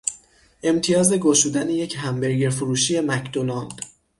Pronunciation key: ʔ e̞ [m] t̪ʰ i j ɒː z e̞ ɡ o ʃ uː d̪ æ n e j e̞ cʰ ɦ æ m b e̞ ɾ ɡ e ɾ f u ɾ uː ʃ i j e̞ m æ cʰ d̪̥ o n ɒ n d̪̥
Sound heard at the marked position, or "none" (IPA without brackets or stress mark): m